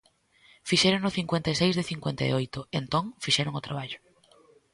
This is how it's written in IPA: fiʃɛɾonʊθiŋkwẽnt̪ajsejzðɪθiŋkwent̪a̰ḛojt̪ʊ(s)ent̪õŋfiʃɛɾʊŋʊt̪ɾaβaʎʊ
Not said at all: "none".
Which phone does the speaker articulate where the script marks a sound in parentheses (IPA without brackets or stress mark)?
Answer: none